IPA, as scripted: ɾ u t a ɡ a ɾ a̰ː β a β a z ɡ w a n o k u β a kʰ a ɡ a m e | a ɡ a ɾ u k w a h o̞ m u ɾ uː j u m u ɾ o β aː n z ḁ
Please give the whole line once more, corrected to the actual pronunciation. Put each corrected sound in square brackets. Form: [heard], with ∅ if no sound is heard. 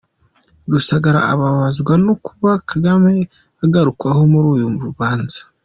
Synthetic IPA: ɾ u [s] a ɡ a ɾ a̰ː β a β a z ɡ w a n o k u β a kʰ a ɡ a m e | a ɡ a ɾ u k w a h o̞ m u ɾ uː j u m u ɾ [u] β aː n z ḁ